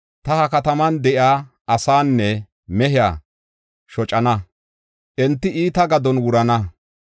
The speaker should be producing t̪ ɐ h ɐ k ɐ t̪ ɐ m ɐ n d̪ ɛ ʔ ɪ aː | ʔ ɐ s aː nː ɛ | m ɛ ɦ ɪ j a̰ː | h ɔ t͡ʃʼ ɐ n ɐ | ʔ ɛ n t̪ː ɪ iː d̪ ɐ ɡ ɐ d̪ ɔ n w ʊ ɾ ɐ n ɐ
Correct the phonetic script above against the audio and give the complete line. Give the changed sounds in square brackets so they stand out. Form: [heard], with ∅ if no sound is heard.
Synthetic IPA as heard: t̪ ɐ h ɐ k ɐ t̪ ɐ m ɐ n d̪ ɛ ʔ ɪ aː | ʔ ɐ s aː nː ɛ | m ɛ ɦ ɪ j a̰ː | [ʃ] ɔ t͡ʃʼ ɐ n ɐ | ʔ ɛ n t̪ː ɪ iː [t̪] ɐ ɡ ɐ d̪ ɔ n w ʊ ɾ ɐ n ɐ

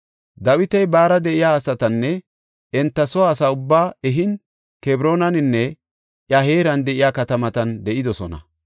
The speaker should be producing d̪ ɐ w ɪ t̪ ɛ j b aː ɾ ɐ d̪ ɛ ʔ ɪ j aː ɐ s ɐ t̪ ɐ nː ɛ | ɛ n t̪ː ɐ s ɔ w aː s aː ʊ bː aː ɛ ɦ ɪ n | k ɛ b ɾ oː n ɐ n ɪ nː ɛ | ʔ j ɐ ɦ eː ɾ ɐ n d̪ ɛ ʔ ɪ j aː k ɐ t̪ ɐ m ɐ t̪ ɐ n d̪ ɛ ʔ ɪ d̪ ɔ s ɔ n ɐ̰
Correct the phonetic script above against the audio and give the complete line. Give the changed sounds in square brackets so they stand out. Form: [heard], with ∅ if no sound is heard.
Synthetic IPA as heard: d̪ ɐ w ɪ t̪ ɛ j b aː ɾ ɐ d̪ ɛ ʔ ɪ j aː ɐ s ɐ t̪ ɐ nː ɛ | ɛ n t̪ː ɐ s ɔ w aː s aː ʊ bː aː ɛ ɦ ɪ n | k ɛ b ɾ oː n ɐ n ɪ nː ɛ | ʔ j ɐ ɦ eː ɾ ɐ n d̪ ɛ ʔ ɪ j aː k ɐ t̪ ɐ m ɐ t̪ ɐ n d̪ ɛ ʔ ɪ d̪ ɔ s ɔ n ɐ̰

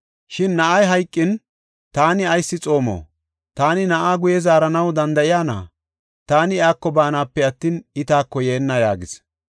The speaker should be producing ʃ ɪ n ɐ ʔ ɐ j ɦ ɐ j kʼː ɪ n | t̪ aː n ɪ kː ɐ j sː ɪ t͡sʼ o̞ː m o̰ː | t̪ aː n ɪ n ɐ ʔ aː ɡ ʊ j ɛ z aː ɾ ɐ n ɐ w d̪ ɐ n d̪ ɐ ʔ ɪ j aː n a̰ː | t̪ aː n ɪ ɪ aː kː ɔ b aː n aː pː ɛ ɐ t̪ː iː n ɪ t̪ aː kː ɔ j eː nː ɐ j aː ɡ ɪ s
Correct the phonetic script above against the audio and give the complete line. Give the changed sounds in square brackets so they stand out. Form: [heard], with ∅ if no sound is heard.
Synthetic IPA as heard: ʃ ɪ [nː] ɐ ʔ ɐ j ɦ ɐ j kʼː ɪ n | t̪ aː n ɪ [∅] ɐ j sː ɪ t͡sʼ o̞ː m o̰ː | t̪ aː n ɪ n ɐ ʔ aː ɡ ʊ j ɛ z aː ɾ ɐ n ɐ w d̪ ɐ n d̪ ɐ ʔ ɪ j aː n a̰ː | t̪ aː n ɪ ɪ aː kː ɔ b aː n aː pː ɛ ɐ t̪ː iː n ɪ t̪ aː kː ɔ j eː nː ɐ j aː ɡ ɪ s

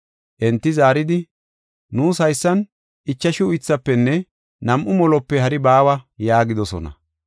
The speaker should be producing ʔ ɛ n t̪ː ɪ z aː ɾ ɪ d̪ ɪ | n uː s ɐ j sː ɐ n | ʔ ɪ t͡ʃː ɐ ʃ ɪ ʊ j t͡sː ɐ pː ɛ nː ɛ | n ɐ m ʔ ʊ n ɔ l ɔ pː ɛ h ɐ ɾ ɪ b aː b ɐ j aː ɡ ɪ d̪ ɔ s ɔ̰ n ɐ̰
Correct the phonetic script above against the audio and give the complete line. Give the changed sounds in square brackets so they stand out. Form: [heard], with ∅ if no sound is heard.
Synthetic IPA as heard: ʔ ɛ n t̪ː ɪ z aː ɾ ɪ d̪ ɪ | n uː s ɐ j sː ɐ n | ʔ ɪ t͡ʃː ɐ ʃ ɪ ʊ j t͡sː ɐ pː ɛ nː ɛ | n ɐ m ʔ ʊ [m] ɔ l ɔ pː ɛ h ɐ ɾ ɪ b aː [w] ɐ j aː ɡ ɪ d̪ ɔ s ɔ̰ n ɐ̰

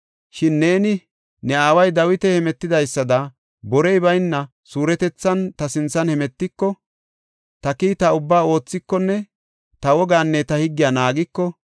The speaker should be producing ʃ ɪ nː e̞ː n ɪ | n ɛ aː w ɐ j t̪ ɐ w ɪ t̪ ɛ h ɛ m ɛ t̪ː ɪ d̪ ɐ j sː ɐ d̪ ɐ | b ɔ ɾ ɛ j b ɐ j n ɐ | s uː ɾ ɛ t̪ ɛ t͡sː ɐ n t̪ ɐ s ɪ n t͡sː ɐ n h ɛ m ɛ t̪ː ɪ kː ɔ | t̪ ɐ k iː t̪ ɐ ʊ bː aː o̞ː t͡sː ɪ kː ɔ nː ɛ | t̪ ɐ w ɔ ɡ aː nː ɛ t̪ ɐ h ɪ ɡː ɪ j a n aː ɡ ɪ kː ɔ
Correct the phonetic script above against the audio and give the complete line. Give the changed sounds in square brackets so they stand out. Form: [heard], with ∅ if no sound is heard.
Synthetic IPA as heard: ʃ ɪ nː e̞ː n ɪ | n ɛ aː w ɐ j [d̪] ɐ w ɪ t̪ ɛ h ɛ m ɛ t̪ː ɪ d̪ ɐ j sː ɐ d̪ ɐ | b ɔ ɾ ɛ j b ɐ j [nː] ɐ | s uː ɾ ɛ t̪ ɛ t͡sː ɐ n t̪ ɐ s ɪ n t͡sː ɐ n h ɛ m ɛ t̪ː ɪ kː ɔ | t̪ ɐ k iː t̪ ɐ ʊ bː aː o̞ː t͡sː ɪ kː ɔ nː ɛ | t̪ ɐ w ɔ ɡ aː nː ɛ t̪ ɐ h ɪ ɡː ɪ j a n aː ɡ ɪ kː ɔ

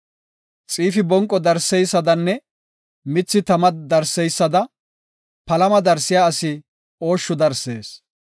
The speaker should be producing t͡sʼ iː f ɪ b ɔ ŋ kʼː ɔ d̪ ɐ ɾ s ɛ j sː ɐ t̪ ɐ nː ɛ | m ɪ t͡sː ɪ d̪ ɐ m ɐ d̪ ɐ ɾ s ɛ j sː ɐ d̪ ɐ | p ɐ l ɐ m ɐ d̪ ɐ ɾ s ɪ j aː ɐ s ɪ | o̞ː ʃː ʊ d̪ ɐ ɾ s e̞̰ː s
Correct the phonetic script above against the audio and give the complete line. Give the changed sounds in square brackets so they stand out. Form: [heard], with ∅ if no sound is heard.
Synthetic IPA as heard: t͡sʼ iː f ɪ b ɔ ŋ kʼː ɔ d̪ ɐ ɾ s ɛ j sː ɐ [d̪] ɐ nː ɛ | m ɪ t͡sː ɪ [t̪] ɐ m ɐ d̪ ɐ ɾ s ɛ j sː ɐ d̪ ɐ | p ɐ l ɐ m ɐ d̪ ɐ ɾ s ɪ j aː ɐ s ɪ | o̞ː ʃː ʊ d̪ ɐ ɾ s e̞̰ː s

